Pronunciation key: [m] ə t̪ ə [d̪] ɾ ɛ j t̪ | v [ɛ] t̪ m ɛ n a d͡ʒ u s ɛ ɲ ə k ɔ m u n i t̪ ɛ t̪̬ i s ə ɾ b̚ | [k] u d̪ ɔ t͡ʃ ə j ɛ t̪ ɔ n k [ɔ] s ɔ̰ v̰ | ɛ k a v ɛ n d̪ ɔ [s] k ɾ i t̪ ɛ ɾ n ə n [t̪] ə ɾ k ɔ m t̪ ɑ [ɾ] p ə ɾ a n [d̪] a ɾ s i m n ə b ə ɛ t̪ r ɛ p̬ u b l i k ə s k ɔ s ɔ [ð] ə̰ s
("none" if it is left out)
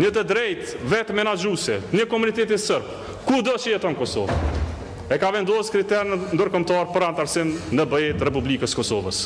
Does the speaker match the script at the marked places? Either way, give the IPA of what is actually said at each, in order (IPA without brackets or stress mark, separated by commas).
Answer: ɲ, d̪, ɛ, k, ɔ, s, d̪, ɾ, t̪, v